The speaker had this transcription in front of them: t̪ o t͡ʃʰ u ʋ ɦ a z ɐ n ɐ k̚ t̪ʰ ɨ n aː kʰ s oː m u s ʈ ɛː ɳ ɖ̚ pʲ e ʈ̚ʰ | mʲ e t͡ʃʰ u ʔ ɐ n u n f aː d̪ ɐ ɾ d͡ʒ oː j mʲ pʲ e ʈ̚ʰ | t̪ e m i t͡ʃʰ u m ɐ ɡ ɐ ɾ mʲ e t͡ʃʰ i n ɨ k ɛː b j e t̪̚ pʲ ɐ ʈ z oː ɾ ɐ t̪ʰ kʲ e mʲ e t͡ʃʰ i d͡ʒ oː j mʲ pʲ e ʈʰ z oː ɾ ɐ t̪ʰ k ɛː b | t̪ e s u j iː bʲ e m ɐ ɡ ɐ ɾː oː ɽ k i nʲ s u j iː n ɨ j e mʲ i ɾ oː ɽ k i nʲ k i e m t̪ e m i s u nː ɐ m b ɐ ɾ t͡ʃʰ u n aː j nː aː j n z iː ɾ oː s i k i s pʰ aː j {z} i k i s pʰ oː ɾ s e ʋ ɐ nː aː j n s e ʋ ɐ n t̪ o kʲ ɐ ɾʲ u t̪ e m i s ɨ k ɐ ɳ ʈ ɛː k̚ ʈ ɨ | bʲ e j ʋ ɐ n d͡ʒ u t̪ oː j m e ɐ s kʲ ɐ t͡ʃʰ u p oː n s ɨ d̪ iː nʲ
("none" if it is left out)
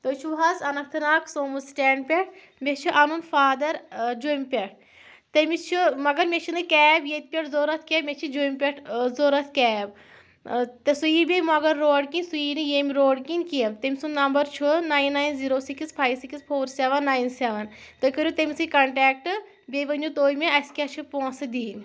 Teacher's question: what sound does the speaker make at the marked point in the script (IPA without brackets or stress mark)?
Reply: s